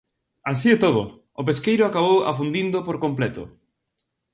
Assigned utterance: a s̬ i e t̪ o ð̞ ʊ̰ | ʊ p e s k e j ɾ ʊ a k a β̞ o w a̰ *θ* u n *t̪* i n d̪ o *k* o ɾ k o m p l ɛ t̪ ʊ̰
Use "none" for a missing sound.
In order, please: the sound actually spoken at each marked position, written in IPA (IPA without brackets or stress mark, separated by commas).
f, d̪, p